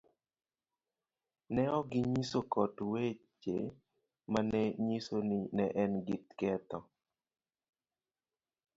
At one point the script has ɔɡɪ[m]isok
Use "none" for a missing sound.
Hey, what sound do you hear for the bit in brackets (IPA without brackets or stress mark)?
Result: ɲ